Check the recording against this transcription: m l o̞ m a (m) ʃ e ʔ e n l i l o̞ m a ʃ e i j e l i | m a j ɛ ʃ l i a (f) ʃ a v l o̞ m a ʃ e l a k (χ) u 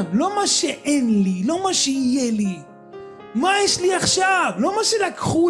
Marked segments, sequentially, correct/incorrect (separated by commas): incorrect, incorrect, correct